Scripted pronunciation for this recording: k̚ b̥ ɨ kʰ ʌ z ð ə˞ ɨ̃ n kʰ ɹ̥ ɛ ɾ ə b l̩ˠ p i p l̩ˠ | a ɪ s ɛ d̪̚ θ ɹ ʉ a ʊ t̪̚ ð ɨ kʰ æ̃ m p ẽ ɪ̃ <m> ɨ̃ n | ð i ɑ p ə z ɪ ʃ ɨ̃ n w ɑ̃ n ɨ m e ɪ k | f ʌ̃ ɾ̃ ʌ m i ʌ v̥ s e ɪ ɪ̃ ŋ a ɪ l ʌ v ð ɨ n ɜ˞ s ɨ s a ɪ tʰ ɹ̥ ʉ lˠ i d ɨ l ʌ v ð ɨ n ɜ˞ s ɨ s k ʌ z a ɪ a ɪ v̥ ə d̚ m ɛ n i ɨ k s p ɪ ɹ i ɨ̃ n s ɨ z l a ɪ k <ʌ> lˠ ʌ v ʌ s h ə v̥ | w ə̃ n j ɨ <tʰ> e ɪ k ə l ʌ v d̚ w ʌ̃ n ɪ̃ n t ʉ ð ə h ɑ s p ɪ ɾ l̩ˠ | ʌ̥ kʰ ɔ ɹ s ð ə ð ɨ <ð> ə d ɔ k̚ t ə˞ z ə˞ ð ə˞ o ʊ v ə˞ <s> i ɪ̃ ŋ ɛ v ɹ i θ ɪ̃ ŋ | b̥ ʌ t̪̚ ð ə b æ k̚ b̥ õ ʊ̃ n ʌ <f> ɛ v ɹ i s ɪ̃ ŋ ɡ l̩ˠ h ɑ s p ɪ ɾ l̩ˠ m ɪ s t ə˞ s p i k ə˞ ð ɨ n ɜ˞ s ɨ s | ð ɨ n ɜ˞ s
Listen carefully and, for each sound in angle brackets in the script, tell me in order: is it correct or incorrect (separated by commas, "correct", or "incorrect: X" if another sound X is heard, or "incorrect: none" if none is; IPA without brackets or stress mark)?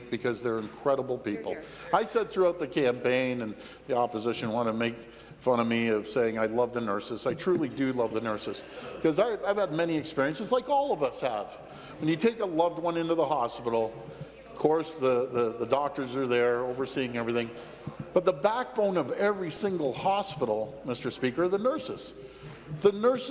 incorrect: n, incorrect: ɔ, correct, correct, correct, incorrect: v